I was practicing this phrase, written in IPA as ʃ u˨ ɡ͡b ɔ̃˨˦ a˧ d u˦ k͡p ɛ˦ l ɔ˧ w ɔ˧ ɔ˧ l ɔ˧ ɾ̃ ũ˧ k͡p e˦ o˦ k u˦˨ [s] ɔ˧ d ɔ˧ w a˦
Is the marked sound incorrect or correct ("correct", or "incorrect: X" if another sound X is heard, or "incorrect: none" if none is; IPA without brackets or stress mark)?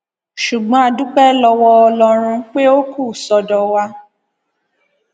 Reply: correct